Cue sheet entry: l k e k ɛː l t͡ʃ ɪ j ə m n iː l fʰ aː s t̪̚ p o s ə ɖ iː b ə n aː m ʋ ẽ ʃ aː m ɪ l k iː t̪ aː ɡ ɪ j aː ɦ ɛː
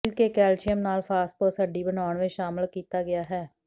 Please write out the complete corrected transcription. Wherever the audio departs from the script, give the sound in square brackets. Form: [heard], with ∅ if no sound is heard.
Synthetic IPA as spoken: l k e k ɛː l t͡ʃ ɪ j ə m n [aː] l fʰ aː s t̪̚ p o s ə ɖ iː b ə n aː [ɳ] ʋ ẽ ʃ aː m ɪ l k iː t̪ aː ɡ ɪ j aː ɦ ɛː